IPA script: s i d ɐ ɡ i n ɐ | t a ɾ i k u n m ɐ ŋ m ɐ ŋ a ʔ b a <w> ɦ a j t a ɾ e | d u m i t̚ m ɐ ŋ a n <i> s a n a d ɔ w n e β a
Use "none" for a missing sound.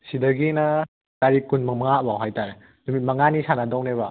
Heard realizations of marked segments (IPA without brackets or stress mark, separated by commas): w, i